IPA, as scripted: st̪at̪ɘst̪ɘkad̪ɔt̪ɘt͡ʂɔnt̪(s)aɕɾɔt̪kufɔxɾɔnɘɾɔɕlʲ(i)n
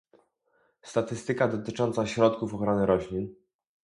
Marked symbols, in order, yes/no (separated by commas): yes, yes